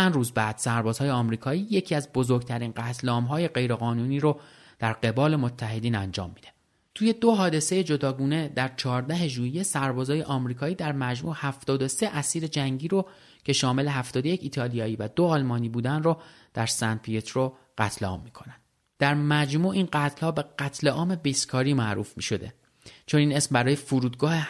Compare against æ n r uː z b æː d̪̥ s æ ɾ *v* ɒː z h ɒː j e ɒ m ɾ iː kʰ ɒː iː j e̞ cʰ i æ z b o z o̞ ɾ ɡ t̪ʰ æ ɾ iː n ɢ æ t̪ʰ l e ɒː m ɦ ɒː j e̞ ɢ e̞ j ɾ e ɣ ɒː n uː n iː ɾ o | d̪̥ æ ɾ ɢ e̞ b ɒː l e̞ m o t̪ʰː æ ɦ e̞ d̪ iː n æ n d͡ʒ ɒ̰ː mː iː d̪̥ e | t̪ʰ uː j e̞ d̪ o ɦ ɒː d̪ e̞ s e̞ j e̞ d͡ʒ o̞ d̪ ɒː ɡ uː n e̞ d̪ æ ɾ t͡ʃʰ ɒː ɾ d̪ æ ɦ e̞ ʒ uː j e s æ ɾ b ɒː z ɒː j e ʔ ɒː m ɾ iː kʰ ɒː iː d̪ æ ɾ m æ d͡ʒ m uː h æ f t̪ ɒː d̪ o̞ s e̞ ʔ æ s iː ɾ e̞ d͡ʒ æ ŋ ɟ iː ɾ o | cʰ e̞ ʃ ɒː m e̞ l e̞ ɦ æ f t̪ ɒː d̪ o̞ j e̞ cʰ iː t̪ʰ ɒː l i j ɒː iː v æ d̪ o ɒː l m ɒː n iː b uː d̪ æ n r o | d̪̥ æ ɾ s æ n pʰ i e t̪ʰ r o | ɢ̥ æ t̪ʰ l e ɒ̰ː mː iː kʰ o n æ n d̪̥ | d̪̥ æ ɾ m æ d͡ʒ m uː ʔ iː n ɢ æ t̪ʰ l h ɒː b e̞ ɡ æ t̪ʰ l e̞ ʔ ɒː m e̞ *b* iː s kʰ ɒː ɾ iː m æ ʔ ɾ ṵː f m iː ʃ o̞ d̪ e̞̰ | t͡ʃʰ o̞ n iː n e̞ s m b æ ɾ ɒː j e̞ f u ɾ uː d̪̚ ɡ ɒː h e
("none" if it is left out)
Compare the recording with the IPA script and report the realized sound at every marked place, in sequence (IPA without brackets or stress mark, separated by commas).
b, b